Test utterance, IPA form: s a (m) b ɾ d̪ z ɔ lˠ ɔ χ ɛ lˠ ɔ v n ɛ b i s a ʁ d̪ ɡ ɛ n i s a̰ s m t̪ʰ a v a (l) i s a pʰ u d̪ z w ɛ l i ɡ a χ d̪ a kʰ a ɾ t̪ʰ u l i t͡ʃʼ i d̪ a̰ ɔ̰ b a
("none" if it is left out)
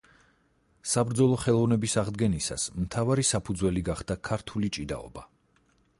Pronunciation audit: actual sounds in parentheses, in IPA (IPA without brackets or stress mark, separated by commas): none, ɾ